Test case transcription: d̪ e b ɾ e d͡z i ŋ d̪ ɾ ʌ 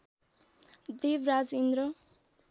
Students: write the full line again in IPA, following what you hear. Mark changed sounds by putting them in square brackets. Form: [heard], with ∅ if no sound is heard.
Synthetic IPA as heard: d̪ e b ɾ [a] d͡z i [n] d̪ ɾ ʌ